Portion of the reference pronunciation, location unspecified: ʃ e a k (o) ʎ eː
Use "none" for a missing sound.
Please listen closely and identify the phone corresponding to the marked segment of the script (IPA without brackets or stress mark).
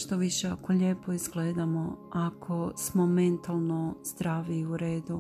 o